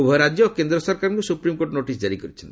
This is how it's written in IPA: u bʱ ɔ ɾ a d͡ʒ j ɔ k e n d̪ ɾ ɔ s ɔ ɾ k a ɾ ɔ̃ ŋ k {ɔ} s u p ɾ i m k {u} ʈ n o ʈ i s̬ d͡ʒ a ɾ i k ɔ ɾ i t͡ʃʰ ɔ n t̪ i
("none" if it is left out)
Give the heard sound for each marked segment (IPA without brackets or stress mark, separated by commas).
u, o